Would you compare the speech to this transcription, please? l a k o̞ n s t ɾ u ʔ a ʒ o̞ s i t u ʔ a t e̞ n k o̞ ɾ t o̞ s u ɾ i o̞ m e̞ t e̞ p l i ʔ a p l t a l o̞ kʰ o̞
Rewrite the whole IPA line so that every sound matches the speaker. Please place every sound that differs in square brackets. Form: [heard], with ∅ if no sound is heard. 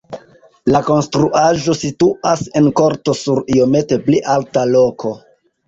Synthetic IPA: l a k o̞ n s t ɾ u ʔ a ʒ o̞ s i t u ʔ a [s] e̞ n k o̞ ɾ t o̞ s u ɾ i o̞ m e̞ t e̞ p l i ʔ a [∅] l t a l o̞ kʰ o̞